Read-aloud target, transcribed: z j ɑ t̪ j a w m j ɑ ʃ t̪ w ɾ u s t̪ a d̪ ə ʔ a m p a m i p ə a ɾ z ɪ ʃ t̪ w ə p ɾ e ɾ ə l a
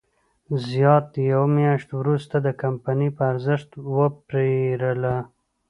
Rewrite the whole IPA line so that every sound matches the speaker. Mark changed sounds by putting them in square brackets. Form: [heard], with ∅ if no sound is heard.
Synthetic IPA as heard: z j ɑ t̪ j a w m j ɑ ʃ t̪ w ɾ u s t̪ a d̪ ə [k] a m p a [n] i p ə a ɾ z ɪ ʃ t̪ w ə p ɾ e ɾ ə l a